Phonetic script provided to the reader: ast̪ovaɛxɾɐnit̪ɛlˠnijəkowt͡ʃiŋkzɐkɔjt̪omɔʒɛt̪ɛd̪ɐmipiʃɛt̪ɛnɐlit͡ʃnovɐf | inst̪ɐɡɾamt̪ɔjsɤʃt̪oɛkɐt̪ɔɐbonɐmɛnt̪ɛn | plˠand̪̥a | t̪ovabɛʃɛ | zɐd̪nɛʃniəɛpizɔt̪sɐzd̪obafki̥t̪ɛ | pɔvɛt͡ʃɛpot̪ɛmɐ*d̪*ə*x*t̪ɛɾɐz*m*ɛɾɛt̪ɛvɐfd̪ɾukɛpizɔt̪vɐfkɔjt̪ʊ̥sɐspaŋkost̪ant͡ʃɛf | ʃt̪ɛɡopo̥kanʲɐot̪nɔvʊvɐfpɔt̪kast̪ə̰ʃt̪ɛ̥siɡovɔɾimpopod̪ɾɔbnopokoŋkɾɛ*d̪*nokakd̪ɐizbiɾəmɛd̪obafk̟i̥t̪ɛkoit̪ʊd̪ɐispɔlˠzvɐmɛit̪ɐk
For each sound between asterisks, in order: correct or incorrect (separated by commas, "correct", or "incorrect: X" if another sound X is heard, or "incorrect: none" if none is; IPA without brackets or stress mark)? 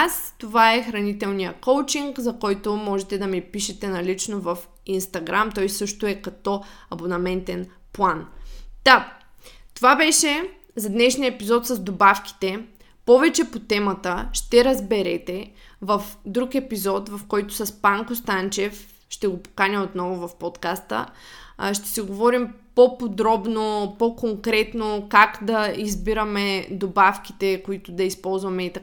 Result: incorrect: t̪, incorrect: ʃ, incorrect: b, incorrect: t̪